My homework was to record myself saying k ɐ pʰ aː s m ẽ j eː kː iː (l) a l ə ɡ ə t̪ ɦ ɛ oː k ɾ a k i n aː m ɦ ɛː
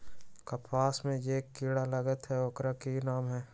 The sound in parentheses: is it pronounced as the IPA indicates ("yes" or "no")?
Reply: no